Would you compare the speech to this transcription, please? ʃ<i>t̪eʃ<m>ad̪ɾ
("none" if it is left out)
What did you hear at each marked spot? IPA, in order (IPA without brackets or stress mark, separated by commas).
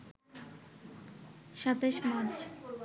a, m